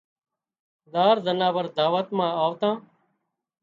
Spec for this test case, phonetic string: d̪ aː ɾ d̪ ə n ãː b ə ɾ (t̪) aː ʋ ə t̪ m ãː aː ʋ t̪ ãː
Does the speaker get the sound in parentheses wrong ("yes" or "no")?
yes